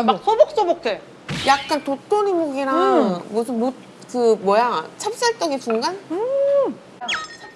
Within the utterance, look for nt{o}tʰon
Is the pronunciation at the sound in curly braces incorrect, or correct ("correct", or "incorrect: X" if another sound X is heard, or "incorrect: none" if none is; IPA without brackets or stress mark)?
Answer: correct